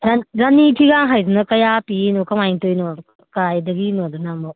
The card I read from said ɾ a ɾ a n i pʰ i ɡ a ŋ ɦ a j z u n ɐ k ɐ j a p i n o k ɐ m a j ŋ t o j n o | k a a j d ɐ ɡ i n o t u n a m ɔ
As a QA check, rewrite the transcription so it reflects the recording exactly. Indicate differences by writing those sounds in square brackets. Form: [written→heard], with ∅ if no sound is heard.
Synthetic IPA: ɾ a ɾ a n i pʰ i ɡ a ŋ ɦ a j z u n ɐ k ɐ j a p i n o k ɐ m a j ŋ t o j n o | k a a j d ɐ ɡ i n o [t→d] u n a m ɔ